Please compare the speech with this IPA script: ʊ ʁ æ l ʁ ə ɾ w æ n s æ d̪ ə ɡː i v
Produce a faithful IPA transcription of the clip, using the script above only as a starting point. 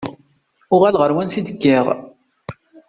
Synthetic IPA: ʊ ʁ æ l ʁ ə ɾ w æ n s i d̪ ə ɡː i ʁ